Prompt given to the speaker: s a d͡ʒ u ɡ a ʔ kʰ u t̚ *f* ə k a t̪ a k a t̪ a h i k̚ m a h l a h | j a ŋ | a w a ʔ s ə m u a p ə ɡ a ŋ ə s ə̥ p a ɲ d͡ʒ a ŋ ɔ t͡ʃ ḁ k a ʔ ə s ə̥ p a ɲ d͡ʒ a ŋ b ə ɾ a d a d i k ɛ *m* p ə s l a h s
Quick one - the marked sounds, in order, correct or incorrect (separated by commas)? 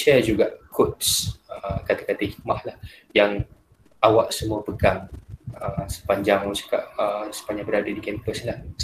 incorrect, correct